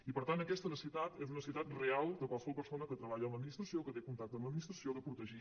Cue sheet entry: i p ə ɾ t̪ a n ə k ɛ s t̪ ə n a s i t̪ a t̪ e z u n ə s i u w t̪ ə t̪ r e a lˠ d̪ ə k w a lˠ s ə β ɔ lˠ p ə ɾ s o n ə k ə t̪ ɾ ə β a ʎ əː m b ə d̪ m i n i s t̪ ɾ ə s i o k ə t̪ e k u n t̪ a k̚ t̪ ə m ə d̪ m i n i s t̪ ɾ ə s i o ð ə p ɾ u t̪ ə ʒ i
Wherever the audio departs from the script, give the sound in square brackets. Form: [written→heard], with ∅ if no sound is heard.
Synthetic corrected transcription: i p ə ɾ t̪ a n ə k ɛ s t̪ ə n [a→ə] s i t̪ a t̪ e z u n ə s i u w t̪ [ə→a] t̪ r e a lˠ d̪ ə k w a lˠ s ə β ɔ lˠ p ə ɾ s o n ə k ə t̪ ɾ ə β a ʎ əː m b ə d̪ m i n i s t̪ ɾ ə s i o k ə t̪ e k u n t̪ a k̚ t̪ ə m ə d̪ m i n i s t̪ ɾ ə s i o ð ə p ɾ u t̪ ə ʒ i

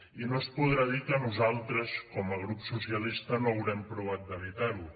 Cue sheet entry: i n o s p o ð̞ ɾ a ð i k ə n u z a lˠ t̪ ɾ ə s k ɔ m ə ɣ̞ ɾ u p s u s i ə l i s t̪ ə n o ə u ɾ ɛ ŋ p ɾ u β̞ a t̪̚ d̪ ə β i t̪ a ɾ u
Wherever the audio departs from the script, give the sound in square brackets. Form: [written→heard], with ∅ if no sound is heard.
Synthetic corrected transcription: i n o s p [o→u] ð̞ ɾ a ð i k ə n u z a lˠ t̪ ɾ ə s k ɔ m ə ɣ̞ ɾ u p s u s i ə l i s t̪ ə n o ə [u→w] ɾ ɛ [ŋ→m] p ɾ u β̞ a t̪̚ d̪ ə β i t̪ a ɾ u

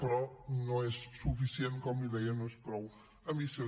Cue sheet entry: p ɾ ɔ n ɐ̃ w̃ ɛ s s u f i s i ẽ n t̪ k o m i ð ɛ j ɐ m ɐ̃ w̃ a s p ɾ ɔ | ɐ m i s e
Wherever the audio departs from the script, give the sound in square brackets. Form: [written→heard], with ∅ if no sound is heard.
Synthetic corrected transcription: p ɾ ɔ n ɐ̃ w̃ ɛ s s u f i s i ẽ n t̪ k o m i ð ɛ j ɐ [m→n] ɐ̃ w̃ [a→ɛ] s p ɾ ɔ | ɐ m i s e

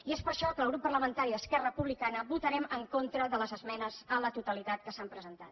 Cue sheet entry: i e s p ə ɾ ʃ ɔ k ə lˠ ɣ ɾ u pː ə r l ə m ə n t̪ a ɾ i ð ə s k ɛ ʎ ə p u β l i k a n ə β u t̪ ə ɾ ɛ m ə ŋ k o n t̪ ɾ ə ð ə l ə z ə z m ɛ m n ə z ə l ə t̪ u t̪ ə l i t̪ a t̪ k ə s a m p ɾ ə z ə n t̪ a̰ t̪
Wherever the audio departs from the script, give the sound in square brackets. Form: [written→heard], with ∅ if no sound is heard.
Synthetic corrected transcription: i e s p ə ɾ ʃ ɔ k ə lˠ ɣ ɾ u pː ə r l ə m ə n t̪ a ɾ i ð ə s k ɛ [ʎ→r] ə p u β l i k a n ə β u t̪ ə ɾ ɛ m ə ŋ k o n t̪ ɾ ə ð ə l ə z ə z m ɛ [m→∅] n ə z ə l ə t̪ u t̪ ə l i t̪ a t̪ k ə s a m p ɾ ə z ə n t̪ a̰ t̪

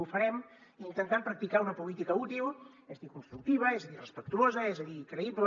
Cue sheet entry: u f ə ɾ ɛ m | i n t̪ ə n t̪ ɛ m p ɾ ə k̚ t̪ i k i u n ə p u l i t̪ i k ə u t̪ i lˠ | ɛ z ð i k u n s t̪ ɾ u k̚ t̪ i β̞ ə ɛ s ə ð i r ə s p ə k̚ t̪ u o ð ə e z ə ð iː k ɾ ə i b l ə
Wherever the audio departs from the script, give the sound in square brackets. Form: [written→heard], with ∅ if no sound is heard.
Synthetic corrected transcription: u f ə ɾ ɛ m | i n t̪ ə n t̪ [ɛ→a] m p ɾ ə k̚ t̪ i k [i→a] u n ə p u l i t̪ i k ə u t̪ i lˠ | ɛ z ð i k u n s t̪ ɾ u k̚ t̪ i β̞ ə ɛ [s→z] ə ð i r ə s p ə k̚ t̪ u o [ð→z] ə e z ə ð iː k ɾ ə i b l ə

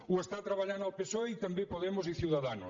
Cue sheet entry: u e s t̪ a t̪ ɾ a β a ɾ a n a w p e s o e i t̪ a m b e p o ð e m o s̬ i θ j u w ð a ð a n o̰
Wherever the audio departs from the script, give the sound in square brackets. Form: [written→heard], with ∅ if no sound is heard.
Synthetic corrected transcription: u e s t̪ a t̪ ɾ a β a [ɾ→ʎ] a n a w p e s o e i t̪ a m b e p o ð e m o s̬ i θ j u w ð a ð a n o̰

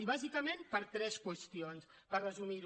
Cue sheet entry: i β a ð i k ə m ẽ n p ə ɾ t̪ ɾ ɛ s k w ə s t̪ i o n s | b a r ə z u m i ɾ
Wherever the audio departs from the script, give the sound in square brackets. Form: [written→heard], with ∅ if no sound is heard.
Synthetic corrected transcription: i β a [ð→z] i k ə m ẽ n p ə ɾ t̪ ɾ ɛ s k w ə s t̪ i o n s | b a r ə z u m i ɾ

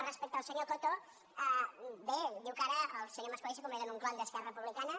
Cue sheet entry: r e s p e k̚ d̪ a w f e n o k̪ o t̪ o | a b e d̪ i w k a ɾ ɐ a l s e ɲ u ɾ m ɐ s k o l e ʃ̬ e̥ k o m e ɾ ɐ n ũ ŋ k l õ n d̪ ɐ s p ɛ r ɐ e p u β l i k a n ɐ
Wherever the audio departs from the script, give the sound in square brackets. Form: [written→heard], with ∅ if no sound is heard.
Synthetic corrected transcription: r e s p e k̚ [d̪→t̪] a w [f→s] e [n→ɲ] o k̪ o t̪ o | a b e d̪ i w k a ɾ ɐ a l s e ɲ [u→o] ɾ m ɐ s k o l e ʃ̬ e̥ k o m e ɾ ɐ n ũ ŋ k l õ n d̪ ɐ s [p→k] ɛ r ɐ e p u β l i k a n ɐ

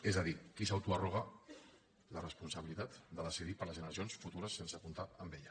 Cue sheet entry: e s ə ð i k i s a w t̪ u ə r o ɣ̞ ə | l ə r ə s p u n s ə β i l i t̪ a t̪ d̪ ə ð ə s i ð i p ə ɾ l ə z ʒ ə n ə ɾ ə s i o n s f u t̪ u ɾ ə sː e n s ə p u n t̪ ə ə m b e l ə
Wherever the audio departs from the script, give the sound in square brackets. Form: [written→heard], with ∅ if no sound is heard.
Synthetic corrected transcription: e [s→z] ə ð i k i s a w t̪ u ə r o ɣ̞ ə | l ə r ə s p u n s ə β i l i t̪ a t̪ d̪ ə ð ə s i ð i p ə ɾ l ə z ʒ ə n ə ɾ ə s i o n s f u t̪ u ɾ ə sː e n s ə p u n t̪ [ə→a] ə m b e [l→ʎ] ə

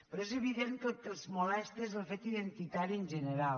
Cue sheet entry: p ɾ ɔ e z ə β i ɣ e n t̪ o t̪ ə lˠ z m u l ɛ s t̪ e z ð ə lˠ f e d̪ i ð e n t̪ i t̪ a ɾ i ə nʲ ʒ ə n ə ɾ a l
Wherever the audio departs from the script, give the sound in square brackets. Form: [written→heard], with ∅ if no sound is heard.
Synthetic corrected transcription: p ɾ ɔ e z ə β i [ɣ→ð] e n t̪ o t̪ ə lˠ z m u l ɛ s t̪ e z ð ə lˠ f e [d̪→t̪] i ð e n t̪ i t̪ a ɾ i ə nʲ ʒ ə n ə ɾ a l

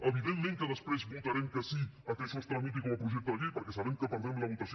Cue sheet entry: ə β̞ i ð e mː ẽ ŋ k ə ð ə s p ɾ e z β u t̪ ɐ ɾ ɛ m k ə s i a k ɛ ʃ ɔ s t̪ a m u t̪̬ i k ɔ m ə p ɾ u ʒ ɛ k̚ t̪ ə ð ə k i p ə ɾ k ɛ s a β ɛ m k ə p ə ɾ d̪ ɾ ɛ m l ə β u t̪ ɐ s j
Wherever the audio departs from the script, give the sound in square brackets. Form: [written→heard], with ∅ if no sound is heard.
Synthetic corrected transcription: ə β̞ i ð e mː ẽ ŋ k ə ð ə s p ɾ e z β u t̪ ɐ ɾ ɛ m k ə s i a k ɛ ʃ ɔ s t̪ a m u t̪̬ i k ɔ m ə p ɾ u ʒ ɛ k̚ t̪ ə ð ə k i p ə ɾ k ɛ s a β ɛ m k ə p ə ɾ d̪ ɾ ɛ m l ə β u t̪ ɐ s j

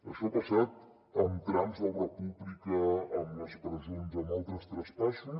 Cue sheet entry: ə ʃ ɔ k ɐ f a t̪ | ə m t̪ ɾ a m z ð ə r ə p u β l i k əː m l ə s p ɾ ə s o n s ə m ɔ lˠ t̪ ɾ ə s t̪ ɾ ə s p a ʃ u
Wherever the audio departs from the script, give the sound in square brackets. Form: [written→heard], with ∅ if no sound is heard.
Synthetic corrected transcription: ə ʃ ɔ [k→p] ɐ [f→s] a t̪ | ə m t̪ ɾ a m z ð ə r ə p u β l i k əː m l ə s p ɾ ə [s→z] o n [s→z] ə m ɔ lˠ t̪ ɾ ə s t̪ ɾ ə s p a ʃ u

